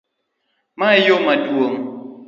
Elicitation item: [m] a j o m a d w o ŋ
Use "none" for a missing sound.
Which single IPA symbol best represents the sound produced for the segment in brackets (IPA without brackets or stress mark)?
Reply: m